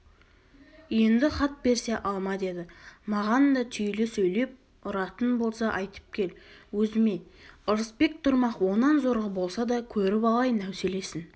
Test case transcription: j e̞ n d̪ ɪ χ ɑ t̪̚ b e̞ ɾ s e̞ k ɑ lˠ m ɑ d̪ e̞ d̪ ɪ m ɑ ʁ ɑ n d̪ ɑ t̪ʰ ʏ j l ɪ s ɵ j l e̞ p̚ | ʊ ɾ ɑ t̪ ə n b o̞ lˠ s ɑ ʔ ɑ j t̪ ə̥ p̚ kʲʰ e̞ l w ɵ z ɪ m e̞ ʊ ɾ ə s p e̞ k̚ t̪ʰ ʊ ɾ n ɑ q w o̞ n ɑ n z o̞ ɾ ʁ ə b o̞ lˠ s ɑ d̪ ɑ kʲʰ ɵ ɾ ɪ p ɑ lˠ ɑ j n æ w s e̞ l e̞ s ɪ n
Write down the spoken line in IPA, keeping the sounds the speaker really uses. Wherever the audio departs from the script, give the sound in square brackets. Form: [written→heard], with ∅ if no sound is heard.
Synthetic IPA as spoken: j e̞ n d̪ ɪ χ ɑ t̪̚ b e̞ ɾ s e̞ [k→ʔ] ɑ lˠ m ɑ d̪ e̞ d̪ ɪ m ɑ ʁ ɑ n d̪ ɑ t̪ʰ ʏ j l ɪ s ɵ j l e̞ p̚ | ʊ ɾ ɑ t̪ ə n b o̞ lˠ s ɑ ʔ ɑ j t̪ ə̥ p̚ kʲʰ e̞ l w ɵ z ɪ m e̞ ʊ ɾ ə s p e̞ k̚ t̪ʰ ʊ ɾ [n→m] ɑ q w o̞ n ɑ n z o̞ ɾ ʁ ə b o̞ lˠ s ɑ d̪ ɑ kʲʰ ɵ ɾ ɪ p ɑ lˠ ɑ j n æ w s e̞ l e̞ s ɪ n